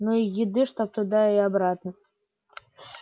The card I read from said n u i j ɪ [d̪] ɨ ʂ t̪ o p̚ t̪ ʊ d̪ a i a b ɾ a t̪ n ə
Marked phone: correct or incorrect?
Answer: correct